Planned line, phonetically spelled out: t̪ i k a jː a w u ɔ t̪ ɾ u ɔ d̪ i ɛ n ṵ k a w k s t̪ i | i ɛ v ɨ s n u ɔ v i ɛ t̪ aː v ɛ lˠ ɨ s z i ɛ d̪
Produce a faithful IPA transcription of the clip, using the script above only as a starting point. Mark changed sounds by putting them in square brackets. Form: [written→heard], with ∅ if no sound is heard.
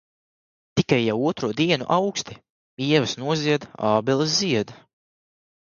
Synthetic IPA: t̪ i k a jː a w u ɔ t̪ ɾ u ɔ d̪ i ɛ n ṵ [k→ʔ] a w k s t̪ i | i ɛ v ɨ s n u ɔ [v→z] i ɛ [t̪→d̪] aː [v→b] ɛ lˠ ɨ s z i ɛ d̪